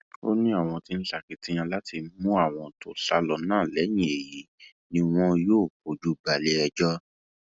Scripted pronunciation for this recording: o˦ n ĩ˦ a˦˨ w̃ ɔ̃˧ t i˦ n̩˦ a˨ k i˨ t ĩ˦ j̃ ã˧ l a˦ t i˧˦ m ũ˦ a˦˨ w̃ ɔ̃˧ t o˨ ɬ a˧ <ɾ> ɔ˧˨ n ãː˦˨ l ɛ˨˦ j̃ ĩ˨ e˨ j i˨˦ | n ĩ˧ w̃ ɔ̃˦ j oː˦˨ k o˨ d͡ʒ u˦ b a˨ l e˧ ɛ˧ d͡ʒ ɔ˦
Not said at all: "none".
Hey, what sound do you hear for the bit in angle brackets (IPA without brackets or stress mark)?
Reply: l